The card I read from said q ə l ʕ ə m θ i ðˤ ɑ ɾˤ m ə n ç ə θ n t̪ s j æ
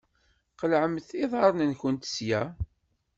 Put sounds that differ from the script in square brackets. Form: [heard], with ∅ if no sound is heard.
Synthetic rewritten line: q ə l ʕ ə m θ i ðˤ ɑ ɾˤ [n] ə n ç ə [∅] n t̪ s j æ